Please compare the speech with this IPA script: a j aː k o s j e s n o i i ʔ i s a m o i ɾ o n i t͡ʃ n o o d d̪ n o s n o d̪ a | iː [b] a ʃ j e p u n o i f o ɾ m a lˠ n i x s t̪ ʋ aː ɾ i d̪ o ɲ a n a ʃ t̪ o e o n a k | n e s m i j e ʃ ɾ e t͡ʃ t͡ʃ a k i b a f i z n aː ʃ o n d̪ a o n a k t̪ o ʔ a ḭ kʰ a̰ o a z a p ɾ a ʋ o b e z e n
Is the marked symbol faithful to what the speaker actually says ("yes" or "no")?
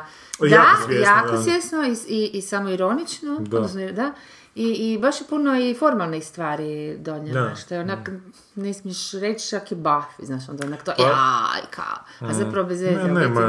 yes